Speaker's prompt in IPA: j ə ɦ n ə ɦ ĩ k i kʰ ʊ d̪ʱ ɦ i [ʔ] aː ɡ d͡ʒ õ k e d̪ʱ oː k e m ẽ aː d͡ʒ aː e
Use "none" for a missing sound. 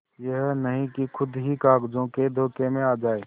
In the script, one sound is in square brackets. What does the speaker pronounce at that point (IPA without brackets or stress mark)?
k